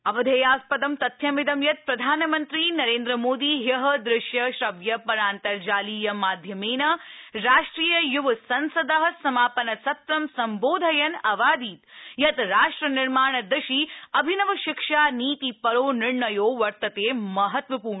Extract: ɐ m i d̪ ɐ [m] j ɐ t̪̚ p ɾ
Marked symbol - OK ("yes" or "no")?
yes